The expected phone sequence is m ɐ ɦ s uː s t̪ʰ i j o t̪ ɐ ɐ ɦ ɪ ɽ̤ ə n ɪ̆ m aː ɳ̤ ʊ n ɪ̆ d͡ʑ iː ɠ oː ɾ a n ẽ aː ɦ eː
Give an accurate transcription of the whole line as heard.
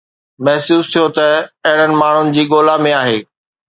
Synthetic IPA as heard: m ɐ ɦ s uː s t̪ʰ i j o t̪ ɐ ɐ ɦ ɪ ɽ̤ ə n ɪ̆ m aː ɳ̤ ʊ n ɪ̆ d͡ʑ iː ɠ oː l a m ẽ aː ɦ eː